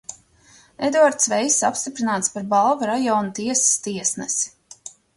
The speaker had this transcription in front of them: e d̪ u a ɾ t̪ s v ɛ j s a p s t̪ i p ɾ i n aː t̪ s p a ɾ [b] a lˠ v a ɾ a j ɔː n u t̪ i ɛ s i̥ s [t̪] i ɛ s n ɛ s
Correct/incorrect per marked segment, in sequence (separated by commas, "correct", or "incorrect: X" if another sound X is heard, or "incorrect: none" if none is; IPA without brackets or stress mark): correct, correct